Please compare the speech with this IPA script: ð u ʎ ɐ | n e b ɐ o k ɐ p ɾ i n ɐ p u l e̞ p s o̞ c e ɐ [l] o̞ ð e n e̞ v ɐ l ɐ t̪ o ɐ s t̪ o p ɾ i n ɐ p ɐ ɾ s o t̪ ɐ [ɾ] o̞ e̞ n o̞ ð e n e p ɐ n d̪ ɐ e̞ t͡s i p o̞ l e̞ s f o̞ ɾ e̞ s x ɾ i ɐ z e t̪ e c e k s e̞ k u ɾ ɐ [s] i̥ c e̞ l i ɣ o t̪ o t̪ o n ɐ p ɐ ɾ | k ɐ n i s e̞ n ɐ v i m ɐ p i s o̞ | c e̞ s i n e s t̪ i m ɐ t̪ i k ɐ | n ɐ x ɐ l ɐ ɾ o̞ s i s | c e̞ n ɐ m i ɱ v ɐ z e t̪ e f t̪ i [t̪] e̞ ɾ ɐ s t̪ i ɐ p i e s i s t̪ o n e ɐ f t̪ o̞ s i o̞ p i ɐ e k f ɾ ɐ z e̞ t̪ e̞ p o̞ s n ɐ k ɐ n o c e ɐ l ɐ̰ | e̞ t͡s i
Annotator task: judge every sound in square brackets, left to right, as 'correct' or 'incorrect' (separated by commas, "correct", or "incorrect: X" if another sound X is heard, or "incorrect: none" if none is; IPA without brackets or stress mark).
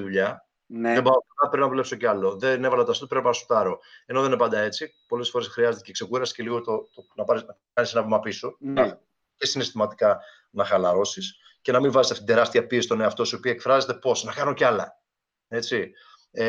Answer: correct, correct, correct, incorrect: d̪